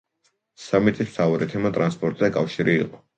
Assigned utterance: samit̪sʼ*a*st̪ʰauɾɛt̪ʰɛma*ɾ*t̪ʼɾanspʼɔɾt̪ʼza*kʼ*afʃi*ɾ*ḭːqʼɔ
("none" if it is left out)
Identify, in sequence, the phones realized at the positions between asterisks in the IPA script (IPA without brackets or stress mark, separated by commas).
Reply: i, none, kʼ, ɾ